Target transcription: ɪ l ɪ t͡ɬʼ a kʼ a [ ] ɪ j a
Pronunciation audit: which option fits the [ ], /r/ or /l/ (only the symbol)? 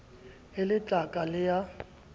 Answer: l